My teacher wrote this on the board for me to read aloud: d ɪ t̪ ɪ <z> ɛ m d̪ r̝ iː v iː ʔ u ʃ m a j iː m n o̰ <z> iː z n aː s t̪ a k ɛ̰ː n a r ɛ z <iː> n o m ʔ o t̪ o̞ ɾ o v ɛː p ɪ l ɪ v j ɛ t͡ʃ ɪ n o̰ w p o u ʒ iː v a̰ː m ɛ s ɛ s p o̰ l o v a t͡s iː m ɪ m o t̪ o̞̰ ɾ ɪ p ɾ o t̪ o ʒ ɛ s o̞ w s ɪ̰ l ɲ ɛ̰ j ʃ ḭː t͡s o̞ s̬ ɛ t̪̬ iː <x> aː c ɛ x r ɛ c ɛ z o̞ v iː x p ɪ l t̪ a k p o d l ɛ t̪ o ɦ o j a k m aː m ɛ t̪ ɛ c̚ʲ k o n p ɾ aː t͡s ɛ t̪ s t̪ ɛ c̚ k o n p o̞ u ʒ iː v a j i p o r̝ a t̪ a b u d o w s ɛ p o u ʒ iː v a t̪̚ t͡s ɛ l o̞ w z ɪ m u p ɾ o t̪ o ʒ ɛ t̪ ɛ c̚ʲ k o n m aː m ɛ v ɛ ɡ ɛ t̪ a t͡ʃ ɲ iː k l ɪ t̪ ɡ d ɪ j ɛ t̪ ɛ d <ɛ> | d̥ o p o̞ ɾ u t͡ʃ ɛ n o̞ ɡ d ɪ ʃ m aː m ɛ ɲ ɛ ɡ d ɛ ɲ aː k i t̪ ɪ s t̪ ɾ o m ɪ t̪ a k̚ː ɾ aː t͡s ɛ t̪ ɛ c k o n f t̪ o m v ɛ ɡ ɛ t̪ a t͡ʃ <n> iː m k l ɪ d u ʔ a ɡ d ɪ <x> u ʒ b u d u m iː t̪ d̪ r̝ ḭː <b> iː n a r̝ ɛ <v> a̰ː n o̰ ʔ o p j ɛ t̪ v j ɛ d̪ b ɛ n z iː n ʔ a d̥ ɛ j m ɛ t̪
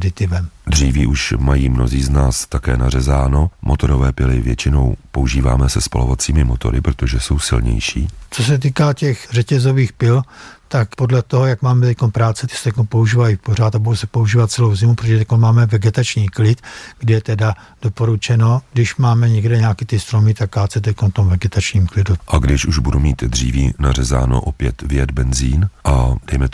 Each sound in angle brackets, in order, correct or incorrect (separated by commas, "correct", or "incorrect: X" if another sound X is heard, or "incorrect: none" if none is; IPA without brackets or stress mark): incorrect: v, correct, incorrect: aː, incorrect: k, incorrect: a, incorrect: ɲ, incorrect: ʃ, incorrect: v, incorrect: z